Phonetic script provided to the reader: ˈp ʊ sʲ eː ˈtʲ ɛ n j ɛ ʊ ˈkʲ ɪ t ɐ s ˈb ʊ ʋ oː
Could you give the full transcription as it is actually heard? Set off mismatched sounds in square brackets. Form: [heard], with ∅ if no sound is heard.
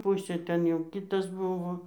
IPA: ˈp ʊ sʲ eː ˈtʲ ɛ n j ɛ ʊ ˈkʲ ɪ t ɐ s ˈb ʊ ʋ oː